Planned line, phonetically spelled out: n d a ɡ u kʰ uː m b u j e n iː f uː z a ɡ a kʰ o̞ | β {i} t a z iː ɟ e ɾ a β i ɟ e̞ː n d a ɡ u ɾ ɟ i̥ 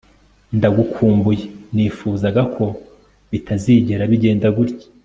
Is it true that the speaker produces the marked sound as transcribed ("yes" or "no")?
yes